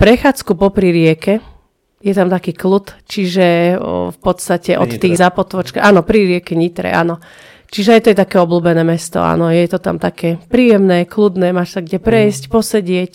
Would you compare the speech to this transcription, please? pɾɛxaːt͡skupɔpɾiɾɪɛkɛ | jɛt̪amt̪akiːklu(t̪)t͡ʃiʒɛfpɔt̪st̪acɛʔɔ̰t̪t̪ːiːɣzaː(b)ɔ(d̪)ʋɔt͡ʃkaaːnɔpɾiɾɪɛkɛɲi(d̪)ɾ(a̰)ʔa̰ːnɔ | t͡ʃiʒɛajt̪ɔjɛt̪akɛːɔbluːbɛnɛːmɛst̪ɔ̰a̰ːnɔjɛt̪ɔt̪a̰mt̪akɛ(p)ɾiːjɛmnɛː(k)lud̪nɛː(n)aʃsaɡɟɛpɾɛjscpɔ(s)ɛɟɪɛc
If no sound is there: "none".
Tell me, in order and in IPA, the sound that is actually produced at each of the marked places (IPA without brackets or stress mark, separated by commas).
t̪, p, t̪, t̪, ɛ̰, p, k, m, s